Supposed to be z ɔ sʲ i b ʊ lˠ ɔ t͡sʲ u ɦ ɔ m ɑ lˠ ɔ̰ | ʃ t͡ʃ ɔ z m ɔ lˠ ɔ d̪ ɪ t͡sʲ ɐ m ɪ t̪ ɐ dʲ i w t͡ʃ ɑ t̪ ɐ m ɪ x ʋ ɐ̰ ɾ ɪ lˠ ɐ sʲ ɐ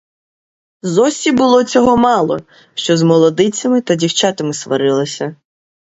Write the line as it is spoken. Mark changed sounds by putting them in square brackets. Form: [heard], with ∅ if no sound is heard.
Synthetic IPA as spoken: z ɔ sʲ i b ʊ lˠ ɔ t͡sʲ [ɔ] ɦ ɔ m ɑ lˠ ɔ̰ | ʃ t͡ʃ ɔ z m ɔ lˠ ɔ d̪ ɪ t͡sʲ ɐ m ɪ t̪ ɐ dʲ i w t͡ʃ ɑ t̪ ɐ m ɪ [s] ʋ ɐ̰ ɾ ɪ lˠ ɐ sʲ ɐ